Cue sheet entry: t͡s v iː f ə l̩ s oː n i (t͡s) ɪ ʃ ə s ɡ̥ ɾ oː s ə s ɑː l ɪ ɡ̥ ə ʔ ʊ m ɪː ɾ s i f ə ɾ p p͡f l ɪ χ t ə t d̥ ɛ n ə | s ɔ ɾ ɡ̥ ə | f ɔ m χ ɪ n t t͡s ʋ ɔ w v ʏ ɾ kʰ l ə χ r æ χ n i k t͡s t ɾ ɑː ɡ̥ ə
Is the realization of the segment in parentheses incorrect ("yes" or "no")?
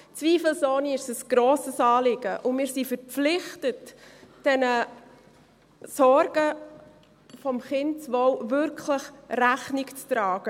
yes